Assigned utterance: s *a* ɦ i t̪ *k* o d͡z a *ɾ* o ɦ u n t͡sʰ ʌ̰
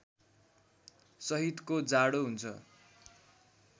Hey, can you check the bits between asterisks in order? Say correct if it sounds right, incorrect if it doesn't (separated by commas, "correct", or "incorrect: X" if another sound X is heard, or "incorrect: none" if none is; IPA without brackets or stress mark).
incorrect: ʌ, correct, incorrect: ɽ